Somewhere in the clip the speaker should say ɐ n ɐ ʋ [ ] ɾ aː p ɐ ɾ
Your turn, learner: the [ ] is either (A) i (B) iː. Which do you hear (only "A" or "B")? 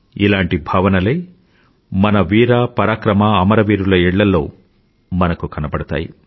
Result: B